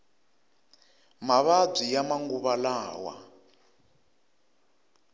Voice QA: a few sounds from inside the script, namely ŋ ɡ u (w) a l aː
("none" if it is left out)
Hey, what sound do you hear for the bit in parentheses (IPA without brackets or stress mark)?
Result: β